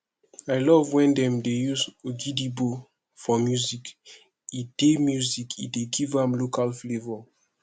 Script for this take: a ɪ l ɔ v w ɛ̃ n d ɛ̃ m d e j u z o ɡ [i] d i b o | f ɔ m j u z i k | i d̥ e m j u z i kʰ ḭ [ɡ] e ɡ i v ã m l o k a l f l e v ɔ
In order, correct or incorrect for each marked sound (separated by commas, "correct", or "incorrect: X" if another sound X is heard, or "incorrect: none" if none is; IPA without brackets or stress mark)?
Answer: correct, incorrect: d